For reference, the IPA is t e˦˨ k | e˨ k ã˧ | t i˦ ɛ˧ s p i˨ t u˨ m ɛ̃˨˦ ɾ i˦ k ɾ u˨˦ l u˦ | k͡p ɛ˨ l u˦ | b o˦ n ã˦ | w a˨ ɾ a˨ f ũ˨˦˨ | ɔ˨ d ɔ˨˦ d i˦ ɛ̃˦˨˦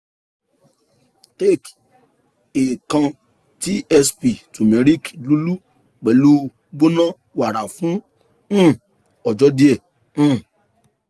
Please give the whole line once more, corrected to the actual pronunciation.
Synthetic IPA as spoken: t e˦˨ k | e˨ k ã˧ | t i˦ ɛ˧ s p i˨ t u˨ m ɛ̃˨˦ ɾ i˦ k l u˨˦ l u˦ | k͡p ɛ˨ l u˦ | b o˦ n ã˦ | w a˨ ɾ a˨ f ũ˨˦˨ | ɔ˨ d͡ʒ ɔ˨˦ d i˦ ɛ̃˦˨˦